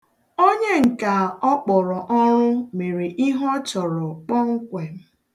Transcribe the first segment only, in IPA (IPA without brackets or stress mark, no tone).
o